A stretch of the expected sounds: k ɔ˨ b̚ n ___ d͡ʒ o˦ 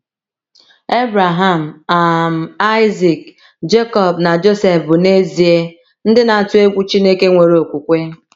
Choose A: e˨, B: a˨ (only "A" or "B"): B